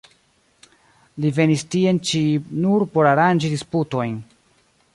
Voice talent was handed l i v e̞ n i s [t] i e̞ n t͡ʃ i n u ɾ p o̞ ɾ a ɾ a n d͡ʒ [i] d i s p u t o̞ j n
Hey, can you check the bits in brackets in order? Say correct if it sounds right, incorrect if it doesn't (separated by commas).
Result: correct, correct